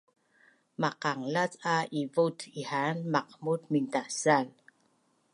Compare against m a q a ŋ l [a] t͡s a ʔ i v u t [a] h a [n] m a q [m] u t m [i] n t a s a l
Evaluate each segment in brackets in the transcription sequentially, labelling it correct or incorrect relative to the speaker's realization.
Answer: correct, incorrect: i, correct, correct, correct

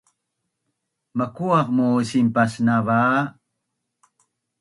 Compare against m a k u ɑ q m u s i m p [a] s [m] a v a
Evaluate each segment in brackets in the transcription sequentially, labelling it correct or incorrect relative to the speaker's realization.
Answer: correct, incorrect: n

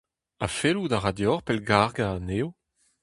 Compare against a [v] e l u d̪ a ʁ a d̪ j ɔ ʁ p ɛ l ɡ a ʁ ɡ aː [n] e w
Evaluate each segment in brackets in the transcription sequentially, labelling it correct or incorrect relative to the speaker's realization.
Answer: incorrect: f, correct

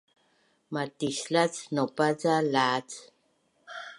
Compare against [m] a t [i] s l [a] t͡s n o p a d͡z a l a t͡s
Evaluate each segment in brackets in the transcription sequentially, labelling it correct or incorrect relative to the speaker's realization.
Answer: correct, correct, correct

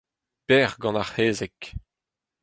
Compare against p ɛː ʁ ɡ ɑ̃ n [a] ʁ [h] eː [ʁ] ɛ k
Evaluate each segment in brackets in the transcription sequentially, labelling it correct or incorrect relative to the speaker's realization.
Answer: correct, correct, incorrect: z

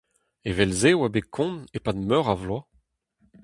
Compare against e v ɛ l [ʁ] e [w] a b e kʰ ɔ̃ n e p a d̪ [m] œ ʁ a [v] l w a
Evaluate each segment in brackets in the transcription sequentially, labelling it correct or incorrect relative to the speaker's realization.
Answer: incorrect: z, correct, correct, correct

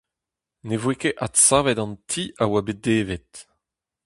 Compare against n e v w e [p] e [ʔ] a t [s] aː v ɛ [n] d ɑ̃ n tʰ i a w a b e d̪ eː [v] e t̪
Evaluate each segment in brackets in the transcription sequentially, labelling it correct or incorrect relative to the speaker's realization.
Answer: incorrect: k, correct, correct, incorrect: none, correct

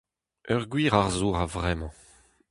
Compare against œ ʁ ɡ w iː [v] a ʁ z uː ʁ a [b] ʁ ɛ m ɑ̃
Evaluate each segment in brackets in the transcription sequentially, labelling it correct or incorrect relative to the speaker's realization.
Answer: incorrect: ʁ, incorrect: v

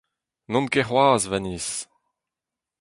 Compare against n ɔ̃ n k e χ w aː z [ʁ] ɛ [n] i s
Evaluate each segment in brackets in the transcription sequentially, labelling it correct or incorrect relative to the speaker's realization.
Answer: incorrect: v, correct

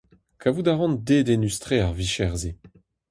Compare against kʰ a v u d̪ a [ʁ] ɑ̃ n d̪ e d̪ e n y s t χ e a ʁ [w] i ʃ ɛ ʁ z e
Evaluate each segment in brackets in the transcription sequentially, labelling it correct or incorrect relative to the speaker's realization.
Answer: correct, incorrect: v

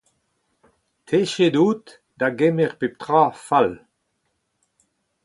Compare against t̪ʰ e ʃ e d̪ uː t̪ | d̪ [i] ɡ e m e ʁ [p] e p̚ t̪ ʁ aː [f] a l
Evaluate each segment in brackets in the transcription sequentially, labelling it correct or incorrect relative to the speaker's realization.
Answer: incorrect: a, correct, correct

